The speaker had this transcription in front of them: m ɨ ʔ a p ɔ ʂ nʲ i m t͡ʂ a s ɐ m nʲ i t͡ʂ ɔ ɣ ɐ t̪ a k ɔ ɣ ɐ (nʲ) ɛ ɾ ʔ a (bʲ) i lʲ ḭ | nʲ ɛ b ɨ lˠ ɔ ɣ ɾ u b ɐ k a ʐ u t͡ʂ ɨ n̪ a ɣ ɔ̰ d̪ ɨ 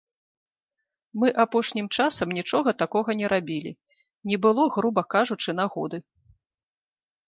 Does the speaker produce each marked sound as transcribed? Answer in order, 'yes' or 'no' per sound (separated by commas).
yes, yes